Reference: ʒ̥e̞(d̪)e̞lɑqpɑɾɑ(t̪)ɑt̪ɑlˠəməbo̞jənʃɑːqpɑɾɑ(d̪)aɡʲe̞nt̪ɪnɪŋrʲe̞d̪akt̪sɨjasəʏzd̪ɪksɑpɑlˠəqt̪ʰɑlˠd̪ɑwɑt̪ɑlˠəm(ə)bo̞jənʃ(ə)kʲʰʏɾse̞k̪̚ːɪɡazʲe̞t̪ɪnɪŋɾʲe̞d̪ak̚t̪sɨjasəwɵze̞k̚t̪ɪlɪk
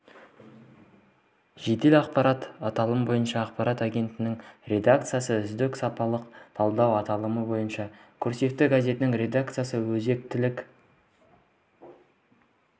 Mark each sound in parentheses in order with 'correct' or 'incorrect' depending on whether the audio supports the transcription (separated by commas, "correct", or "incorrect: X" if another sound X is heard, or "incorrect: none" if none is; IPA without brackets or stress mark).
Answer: incorrect: t̪, correct, incorrect: t̪, correct, incorrect: ɑ